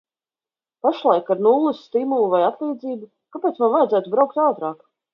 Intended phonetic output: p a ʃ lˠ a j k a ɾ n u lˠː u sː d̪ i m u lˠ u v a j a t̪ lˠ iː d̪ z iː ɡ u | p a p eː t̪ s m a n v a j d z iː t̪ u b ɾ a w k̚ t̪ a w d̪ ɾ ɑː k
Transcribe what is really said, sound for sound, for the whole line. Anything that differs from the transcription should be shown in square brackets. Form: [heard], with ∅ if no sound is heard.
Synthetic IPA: p a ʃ lˠ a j k a ɾ n u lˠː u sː [t̪] i m u lˠ u v a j a t̪ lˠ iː d̪ z iː [b] u | [k] a p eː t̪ s m a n v a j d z [æː] t̪ u b ɾ a w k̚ t̪ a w [t̪] ɾ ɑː k